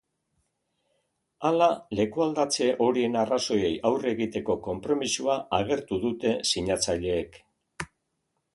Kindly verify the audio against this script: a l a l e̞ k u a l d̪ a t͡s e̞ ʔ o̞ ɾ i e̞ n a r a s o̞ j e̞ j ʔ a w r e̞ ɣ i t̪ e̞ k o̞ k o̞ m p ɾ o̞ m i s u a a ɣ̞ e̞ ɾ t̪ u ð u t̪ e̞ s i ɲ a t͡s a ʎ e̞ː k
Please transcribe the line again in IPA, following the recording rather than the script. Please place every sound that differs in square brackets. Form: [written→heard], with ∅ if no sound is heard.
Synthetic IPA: a l a l e̞ k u a l d̪ a t͡s e̞ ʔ o̞ ɾ i e̞ n a r a s o̞ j e̞ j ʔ a w r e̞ ɣ i t̪ e̞ k o̞ k o̞ m p ɾ o̞ m i s u a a ɣ̞ e̞ ɾ t̪ u ð u t̪ e̞ s i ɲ a t͡s a ʎ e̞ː k